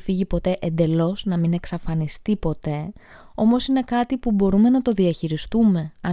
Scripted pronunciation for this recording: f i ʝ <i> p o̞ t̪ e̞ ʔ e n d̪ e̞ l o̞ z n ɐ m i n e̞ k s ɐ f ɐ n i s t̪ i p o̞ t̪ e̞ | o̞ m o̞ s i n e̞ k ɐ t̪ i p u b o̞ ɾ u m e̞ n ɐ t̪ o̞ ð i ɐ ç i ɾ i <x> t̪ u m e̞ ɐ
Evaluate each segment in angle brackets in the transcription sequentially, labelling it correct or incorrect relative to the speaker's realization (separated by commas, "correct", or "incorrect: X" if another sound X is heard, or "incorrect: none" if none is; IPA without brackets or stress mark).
correct, incorrect: s